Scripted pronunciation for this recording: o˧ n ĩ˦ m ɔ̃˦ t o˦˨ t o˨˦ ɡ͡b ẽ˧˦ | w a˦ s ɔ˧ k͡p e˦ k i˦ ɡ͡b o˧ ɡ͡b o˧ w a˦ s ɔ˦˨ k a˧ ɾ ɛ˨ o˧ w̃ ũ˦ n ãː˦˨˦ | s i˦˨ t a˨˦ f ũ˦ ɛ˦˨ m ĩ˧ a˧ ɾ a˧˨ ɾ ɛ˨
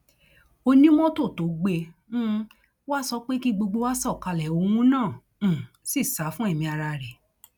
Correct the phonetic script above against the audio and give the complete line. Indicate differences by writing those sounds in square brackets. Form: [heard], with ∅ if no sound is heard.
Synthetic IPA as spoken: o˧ n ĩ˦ m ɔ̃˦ t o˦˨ t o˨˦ ɡ͡b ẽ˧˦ | w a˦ s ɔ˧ k͡p e˦ k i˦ ɡ͡b o˧ ɡ͡b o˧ w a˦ s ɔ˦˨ k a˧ [l] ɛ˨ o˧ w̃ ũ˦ n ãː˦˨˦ | s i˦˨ [s] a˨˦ f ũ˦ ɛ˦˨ m ĩ˧ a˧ ɾ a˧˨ ɾ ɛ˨